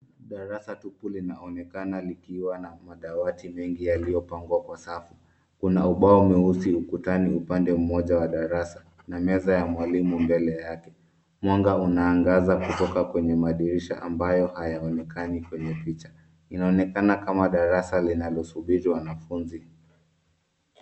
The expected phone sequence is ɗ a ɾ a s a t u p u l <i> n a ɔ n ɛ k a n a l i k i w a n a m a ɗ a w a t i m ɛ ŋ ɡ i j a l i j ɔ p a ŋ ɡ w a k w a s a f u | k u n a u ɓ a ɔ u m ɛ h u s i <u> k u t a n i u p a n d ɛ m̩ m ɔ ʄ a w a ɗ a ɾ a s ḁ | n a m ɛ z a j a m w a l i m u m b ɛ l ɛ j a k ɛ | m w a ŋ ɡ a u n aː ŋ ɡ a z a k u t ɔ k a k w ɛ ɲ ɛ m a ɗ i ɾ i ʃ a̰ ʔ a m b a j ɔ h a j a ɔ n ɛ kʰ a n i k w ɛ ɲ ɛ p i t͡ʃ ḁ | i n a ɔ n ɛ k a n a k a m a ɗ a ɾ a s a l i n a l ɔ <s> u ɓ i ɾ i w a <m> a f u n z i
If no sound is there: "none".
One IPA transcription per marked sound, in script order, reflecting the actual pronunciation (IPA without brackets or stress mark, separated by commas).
i, u, s, n